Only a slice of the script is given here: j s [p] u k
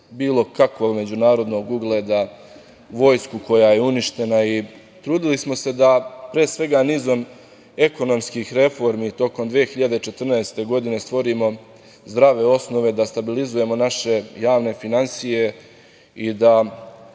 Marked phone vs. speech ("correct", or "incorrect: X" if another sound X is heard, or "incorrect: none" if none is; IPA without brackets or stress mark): incorrect: k